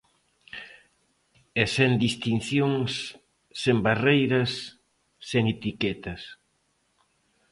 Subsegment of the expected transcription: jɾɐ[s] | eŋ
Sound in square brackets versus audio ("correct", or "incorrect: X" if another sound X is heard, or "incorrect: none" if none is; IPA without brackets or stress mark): incorrect: sː